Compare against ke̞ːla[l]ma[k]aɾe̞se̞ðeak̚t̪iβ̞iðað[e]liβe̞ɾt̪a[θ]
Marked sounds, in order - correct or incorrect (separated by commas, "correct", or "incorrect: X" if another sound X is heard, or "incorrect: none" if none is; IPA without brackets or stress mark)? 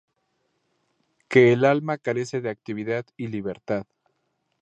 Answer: correct, correct, incorrect: i, incorrect: ð